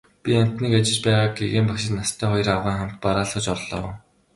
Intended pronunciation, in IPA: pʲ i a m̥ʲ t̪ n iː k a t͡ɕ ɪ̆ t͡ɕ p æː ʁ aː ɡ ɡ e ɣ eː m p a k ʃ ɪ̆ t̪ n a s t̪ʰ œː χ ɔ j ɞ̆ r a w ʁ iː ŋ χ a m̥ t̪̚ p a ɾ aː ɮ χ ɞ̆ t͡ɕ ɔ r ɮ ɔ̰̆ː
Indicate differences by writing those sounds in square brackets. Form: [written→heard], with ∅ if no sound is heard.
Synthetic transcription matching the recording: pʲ i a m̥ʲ t̪ n iː k a t͡ɕ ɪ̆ t͡ɕ p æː ʁ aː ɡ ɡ e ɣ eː m p a k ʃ ɪ̆ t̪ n a s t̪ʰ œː χ ɔ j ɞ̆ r a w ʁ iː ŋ χ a m̥ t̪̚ p a ɾ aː ɮ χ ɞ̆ t͡ɕ ɔ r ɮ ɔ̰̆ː